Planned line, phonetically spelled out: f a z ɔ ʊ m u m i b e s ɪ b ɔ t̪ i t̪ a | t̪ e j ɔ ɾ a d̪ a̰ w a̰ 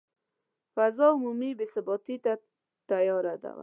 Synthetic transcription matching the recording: f a z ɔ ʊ m u m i b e s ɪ b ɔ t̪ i t̪ a | t̪ a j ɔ ɾ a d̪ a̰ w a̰